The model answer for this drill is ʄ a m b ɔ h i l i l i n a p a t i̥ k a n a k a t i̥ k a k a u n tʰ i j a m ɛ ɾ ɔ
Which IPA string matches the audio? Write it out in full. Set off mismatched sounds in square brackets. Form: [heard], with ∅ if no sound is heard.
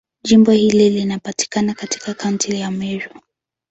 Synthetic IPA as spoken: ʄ [i] m b ɔ h i l i l i n a p a t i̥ k a n a k a t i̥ k a k a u n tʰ i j a m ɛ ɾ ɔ

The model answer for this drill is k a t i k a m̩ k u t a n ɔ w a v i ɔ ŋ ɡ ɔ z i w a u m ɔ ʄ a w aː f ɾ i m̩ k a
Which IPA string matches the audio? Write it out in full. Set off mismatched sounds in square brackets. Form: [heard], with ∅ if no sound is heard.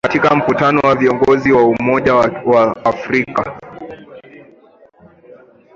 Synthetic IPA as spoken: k a t i k a m̩ k u t a n ɔ w a v i ɔ ŋ ɡ ɔ z i w a u m ɔ ʄ a w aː f ɾ i [∅] k a

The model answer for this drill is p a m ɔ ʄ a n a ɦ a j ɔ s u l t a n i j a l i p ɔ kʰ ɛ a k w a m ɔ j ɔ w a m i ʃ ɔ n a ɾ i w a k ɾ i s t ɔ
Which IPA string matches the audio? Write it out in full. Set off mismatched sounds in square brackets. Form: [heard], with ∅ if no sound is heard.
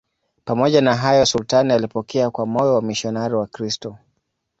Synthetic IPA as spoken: p a m ɔ ʄ a n a ɦ a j ɔ s u l t a n i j a l i p ɔ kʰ ɛ a k w a m ɔ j ɔ w a m i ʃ ɔ n a ɾ i w a k ɾ i s t ɔ

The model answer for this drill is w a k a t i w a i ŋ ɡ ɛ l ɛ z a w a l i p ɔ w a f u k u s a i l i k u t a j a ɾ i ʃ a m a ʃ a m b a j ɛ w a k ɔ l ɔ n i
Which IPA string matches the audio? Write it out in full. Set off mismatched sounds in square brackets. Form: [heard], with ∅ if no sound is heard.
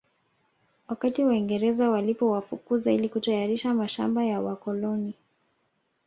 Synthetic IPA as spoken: w a k a t i w a i ŋ ɡ ɛ [ɾ] ɛ z a w a l i p ɔ w a f u k u [z] a i l i k u t a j a ɾ i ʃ a m a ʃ a m b a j [a] w a k ɔ l ɔ n i

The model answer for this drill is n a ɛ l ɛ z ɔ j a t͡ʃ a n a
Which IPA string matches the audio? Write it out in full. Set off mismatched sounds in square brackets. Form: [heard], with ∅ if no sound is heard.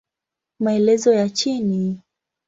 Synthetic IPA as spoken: [m] a ɛ l ɛ z ɔ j a t͡ʃ [i] n [i]

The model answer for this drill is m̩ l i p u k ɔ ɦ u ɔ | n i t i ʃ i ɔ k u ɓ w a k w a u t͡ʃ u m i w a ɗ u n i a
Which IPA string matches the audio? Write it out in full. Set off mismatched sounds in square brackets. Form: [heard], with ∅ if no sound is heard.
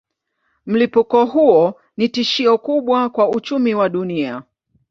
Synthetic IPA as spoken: m̩ l i p u k ɔ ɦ u ɔ | n i t i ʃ i ɔ k u ɓ w a k w a u t͡ʃ u m i w a ɗ u n i a

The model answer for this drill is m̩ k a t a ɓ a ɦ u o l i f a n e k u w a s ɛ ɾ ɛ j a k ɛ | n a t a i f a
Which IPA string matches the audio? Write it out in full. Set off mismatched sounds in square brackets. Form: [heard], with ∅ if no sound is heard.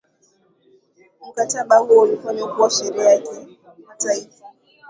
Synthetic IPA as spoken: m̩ k a t a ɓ a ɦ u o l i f a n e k u w a [ʃ] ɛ ɾ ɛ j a k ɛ | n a t a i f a

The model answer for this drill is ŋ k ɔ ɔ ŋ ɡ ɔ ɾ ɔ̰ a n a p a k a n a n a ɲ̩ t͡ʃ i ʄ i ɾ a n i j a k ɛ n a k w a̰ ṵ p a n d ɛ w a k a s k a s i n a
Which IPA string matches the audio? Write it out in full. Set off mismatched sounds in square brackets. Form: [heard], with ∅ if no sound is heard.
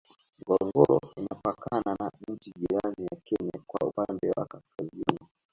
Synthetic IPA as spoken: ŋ [ɡ] ɔ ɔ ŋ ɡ ɔ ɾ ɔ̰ [i] n a p a k a n a n a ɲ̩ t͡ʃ i ʄ i ɾ a n i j a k ɛ [ɲ] a k w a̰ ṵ p a n d ɛ w a k a s k a [z] i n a

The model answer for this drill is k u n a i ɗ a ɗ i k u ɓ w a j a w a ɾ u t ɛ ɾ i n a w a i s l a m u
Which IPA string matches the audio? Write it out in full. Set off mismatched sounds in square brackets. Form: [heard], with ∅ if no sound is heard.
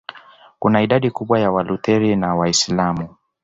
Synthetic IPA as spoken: k u n a i ɗ a ɗ i k u ɓ w a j a w a [l] u t ɛ ɾ i n a w a i s l a m u

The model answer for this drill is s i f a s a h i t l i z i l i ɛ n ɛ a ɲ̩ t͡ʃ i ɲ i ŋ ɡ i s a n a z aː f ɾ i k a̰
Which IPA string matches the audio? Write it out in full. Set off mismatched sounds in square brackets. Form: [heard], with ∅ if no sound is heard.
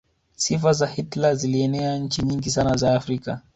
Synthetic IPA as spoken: s i f a [z] a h i t l [a] z i l i ɛ n ɛ a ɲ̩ t͡ʃ i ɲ i ŋ ɡ i s a n a z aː f ɾ i k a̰

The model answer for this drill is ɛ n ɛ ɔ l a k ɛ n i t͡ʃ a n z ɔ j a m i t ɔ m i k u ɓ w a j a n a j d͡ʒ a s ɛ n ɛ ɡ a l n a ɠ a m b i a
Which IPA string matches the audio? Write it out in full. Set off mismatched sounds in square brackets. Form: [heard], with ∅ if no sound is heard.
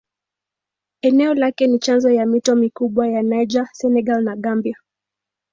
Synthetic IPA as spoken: ɛ n ɛ ɔ l a k ɛ n i t͡ʃ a n z ɔ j a m i t ɔ m i k u ɓ w a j a n a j d͡ʒ a s ɛ n ɛ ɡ a l n a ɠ a m b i a

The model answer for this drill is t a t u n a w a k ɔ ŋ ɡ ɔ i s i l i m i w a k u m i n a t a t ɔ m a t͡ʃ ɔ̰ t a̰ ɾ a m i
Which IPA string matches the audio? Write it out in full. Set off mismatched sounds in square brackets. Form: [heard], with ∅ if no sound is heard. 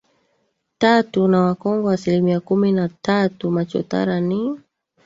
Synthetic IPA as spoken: t a t u n a w a k ɔ ŋ ɡ ɔ [a] s i l i m i [∅] a k u m i n a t a t [u] m a t͡ʃ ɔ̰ t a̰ ɾ a [n] i

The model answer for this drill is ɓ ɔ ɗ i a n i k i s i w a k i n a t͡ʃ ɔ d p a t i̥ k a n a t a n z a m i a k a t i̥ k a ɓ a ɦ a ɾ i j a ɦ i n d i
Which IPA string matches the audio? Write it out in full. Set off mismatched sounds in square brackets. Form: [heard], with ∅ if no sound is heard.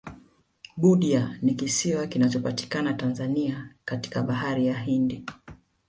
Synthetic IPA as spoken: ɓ [u] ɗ i a n i k i s i w a k i n a t͡ʃ ɔ [∅] p a t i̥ k a n a t a n z a [n] i a k a t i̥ k a ɓ a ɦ a ɾ i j a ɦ i n d i

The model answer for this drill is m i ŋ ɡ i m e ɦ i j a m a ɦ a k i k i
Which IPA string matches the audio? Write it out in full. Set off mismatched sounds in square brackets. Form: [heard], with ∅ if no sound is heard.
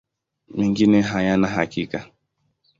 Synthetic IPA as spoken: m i ŋ ɡ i [n] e ɦ [a] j a [n] a ɦ a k i k [a]

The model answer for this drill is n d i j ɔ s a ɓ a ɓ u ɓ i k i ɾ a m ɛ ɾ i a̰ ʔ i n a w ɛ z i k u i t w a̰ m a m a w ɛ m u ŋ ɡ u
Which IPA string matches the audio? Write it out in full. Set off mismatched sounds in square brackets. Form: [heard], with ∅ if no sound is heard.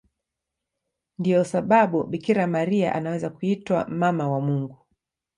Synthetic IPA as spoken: n d i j ɔ s a ɓ a ɓ u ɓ i k i ɾ a m [a] ɾ i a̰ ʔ [a] n a w ɛ z [a] k u i t w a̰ m a m a w [a] m u ŋ ɡ u

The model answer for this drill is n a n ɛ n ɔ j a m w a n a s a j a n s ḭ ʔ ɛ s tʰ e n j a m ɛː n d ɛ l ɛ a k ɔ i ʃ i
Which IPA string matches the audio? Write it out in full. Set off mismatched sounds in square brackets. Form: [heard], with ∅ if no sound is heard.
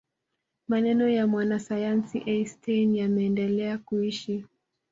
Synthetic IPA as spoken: [m] a n ɛ n ɔ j a m w a n a s a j a n s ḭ ʔ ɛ s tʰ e n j a m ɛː n d ɛ l ɛ a k [u] i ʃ i

